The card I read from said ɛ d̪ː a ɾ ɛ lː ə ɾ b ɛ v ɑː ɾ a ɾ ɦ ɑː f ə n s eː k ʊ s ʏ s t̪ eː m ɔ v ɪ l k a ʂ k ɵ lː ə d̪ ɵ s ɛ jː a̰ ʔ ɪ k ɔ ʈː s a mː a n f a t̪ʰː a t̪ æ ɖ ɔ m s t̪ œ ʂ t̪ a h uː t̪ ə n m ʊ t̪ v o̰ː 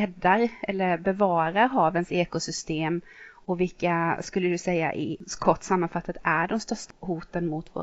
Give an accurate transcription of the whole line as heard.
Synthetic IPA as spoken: ɛ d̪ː a ɾ ɛ lː ə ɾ b ɛ v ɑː ɾ a ɾ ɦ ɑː v ə n s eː k ʊ s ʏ s t̪ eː m ɔ v ɪ l k a s k ɵ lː ə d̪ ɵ s ɛ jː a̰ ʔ ɪ kʰ ɔ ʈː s a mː a n f a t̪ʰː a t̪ æ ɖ ɔ m s t̪ œ ʂ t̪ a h uː t̪ ə n m ʊ t̪ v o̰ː